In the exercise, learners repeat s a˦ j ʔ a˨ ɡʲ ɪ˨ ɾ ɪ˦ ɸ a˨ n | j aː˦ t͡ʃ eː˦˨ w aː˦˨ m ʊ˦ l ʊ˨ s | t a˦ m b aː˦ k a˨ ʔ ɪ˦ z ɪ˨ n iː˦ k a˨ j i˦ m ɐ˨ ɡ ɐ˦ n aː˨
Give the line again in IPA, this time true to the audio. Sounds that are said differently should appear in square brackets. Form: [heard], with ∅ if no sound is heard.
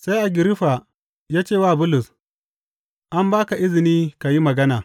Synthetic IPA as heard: s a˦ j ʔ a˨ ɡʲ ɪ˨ ɾ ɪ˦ ɸ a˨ [∅] | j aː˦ t͡ʃ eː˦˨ w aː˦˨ [b] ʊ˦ l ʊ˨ s | [ʔ] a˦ m b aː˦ k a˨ ʔ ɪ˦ z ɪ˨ n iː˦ k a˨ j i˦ m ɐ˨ ɡ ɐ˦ n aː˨